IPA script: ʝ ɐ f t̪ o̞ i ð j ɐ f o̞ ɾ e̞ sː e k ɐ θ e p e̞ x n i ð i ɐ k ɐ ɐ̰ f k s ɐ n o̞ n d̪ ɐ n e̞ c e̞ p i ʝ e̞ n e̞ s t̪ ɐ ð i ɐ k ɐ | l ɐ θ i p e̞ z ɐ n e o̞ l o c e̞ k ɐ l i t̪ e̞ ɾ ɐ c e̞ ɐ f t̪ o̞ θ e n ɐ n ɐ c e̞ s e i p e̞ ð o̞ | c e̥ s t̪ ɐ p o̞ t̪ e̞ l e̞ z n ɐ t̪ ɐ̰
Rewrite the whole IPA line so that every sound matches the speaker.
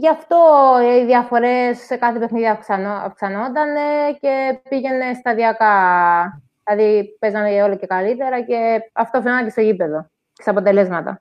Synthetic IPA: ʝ ɐ f t̪ o̞ i ð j ɐ f o̞ ɾ e̞ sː e k ɐ θ e p e̞ x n i ð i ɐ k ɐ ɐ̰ f k s ɐ n o̞ n d̪ ɐ n e̞ c e̞ p i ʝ e̞ n e̞ s t̪ ɐ ð i ɐ k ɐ | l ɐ ð i p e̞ z ɐ n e o̞ l o c e̞ k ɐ l i t̪ e̞ ɾ ɐ c e̞ ɐ f t̪ o̞ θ e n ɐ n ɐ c e̞ s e i p e̞ ð o̞ | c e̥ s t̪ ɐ p o̞ t̪ e̞ l e̞ z m ɐ t̪ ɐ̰